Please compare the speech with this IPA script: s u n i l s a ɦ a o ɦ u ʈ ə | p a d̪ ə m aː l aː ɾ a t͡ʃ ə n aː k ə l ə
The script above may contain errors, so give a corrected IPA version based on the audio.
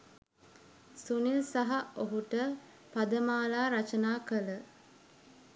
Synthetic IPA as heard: s u n i l s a ɦ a o ɦ u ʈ ə | p a d̪ ə m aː l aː ɾ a t͡ʃ ə n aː k ə l ə